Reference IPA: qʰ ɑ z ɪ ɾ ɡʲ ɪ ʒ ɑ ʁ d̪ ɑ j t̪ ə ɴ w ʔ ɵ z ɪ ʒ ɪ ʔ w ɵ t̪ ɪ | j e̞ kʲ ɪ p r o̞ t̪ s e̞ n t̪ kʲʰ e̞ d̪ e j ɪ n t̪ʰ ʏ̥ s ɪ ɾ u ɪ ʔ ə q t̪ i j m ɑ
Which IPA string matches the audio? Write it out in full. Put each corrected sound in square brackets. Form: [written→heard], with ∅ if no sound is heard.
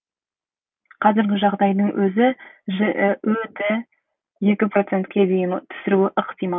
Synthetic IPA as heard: qʰ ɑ z ɪ ɾ ɡʲ ɪ ʒ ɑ ʁ d̪ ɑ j [t̪→d̪] ə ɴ w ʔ ɵ z ɪ ʒ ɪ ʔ w ɵ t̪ ɪ | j e̞ kʲ ɪ p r o̞ t̪ s e̞ n t̪ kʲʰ e̞ d̪ e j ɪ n t̪ʰ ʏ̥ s ɪ ɾ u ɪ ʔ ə q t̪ i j m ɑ